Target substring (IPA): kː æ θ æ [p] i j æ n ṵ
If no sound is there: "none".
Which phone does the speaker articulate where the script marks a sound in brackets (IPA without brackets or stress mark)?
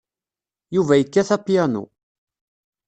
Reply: p